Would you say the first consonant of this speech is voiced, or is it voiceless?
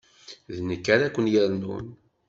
voiced